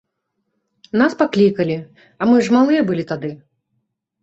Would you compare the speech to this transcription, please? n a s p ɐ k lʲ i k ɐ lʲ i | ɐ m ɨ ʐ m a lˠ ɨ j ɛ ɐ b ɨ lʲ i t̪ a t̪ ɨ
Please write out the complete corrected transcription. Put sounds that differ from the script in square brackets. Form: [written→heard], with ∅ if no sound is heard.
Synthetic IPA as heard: n a s p [ɐ→a] k lʲ i k ɐ lʲ i | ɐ m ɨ ʐ m a lˠ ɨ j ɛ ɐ b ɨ lʲ i t̪ a [t̪→d̪] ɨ

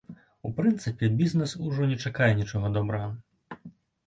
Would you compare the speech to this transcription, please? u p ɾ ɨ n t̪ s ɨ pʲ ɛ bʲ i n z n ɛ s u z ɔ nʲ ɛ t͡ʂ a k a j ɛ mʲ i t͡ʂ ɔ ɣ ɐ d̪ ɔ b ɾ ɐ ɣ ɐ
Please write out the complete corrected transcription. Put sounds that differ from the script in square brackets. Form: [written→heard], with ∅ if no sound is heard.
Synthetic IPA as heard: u p ɾ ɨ n t̪ s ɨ pʲ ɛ bʲ i [n→∅] z n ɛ s u [z→ʐ] ɔ nʲ ɛ t͡ʂ a k a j ɛ [mʲ→nʲ] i t͡ʂ ɔ ɣ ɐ d̪ ɔ b ɾ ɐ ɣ ɐ

